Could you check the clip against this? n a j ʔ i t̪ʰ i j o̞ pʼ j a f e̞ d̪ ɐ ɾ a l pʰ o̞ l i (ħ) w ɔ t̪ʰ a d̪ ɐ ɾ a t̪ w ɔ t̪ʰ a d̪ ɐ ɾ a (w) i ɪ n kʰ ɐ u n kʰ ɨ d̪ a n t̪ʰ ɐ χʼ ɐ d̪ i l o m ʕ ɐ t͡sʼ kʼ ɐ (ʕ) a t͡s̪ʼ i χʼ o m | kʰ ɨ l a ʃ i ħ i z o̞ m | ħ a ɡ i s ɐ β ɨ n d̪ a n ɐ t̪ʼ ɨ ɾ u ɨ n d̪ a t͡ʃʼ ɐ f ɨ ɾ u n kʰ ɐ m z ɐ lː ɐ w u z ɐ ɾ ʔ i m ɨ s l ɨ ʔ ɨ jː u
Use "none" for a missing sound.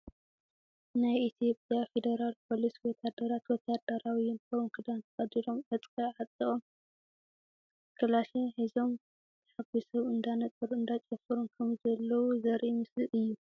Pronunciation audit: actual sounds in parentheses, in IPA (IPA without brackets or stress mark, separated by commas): s, w, ʕ